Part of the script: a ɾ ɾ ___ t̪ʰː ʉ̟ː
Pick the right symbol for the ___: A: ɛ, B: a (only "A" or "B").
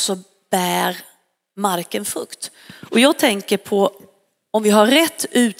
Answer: A